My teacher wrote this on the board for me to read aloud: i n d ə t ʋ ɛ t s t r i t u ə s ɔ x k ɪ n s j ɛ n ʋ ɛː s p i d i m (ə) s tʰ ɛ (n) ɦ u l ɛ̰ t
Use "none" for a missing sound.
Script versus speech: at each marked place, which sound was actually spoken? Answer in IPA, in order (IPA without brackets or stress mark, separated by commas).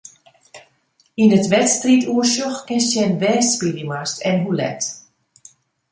a, n